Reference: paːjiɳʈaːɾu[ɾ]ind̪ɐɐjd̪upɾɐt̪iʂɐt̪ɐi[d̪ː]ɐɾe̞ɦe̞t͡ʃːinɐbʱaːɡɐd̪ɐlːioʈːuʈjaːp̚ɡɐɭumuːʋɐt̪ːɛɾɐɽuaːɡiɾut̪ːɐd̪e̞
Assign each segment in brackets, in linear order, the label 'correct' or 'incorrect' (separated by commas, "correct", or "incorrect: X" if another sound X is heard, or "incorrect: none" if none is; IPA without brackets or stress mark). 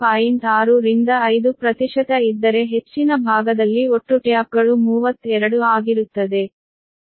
correct, correct